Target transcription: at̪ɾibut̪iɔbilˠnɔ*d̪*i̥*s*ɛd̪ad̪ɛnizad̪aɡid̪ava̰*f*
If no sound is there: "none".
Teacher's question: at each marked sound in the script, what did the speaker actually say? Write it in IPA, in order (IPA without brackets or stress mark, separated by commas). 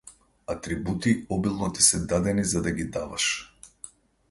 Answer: t̪, s, ʃ